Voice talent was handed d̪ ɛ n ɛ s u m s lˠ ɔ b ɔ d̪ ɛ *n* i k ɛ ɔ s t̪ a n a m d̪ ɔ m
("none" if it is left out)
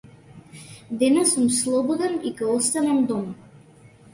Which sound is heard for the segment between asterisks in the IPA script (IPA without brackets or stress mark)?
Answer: n